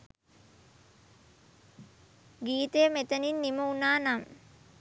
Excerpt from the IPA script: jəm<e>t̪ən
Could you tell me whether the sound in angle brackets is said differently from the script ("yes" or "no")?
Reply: no